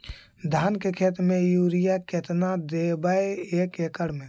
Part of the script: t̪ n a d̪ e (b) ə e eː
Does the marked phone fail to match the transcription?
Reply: no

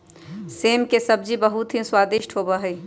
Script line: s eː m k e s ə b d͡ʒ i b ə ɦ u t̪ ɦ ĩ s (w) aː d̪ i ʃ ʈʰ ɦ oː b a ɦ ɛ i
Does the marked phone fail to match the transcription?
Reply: no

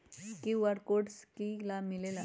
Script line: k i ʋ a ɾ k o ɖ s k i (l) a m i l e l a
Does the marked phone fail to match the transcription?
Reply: no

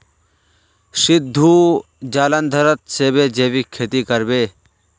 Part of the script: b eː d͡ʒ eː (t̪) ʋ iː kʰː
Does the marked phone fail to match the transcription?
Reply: yes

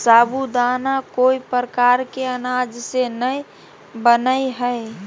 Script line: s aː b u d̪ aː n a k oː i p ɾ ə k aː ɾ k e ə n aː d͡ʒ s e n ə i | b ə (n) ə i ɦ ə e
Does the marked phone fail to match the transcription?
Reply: no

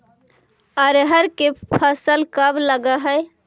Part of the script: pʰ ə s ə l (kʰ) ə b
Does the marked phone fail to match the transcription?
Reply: yes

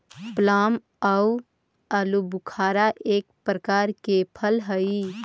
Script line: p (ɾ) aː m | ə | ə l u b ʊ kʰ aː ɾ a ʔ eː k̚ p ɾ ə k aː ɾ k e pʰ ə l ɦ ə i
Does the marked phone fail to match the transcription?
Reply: yes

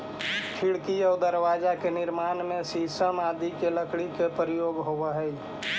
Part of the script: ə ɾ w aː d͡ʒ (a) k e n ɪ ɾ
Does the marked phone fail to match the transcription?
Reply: no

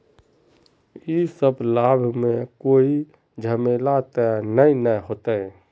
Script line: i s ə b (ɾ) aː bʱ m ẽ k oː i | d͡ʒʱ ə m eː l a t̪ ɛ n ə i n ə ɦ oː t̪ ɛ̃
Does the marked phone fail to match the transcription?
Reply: yes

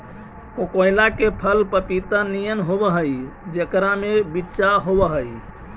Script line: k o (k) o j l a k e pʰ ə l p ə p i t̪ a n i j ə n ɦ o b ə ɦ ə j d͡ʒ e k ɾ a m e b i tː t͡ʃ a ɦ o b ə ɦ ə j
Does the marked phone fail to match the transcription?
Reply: no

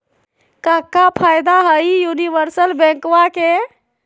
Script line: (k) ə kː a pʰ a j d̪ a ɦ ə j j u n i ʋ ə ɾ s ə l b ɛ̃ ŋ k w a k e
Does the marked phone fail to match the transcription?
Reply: no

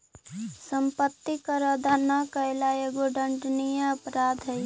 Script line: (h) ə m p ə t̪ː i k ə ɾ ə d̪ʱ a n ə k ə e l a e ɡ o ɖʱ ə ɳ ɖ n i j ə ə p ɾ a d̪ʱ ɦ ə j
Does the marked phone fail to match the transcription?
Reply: yes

